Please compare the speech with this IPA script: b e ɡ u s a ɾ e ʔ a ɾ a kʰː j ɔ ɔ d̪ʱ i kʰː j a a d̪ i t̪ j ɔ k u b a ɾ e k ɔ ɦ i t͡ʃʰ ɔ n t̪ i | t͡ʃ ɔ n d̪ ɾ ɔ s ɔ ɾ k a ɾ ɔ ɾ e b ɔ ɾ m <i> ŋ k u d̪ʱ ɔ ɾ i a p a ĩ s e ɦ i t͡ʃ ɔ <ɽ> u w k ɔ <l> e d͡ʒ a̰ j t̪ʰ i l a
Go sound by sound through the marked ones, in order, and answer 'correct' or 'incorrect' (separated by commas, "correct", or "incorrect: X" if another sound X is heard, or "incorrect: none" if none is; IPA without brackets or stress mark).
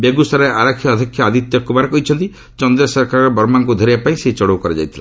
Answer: incorrect: a, correct, incorrect: ɾ